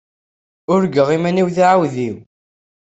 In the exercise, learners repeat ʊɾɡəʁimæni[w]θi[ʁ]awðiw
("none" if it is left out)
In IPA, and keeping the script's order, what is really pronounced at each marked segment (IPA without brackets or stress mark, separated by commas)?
w, ʕ